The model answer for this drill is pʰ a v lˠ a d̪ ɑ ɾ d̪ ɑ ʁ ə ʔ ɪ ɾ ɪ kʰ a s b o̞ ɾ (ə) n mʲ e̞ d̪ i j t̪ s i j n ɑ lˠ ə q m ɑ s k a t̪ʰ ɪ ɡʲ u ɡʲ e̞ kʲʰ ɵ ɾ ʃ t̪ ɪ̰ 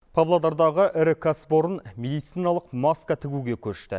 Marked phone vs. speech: correct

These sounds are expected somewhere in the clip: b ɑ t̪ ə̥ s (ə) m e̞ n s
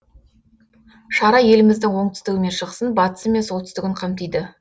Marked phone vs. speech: correct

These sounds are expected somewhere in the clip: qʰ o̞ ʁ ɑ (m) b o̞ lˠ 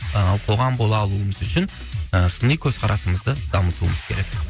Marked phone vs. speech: correct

